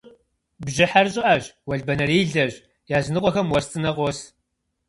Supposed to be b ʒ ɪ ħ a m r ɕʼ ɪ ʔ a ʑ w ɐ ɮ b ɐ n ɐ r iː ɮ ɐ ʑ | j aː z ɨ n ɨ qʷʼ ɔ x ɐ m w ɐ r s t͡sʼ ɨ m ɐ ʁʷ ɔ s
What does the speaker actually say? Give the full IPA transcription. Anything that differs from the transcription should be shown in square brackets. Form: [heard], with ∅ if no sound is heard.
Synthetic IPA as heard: b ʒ ɪ ħ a [∅] r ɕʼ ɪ ʔ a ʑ w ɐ ɮ b ɐ n ɐ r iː ɮ ɐ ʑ | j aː z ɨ n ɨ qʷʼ ɔ x ɐ m w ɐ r s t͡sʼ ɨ [n] ɐ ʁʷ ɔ s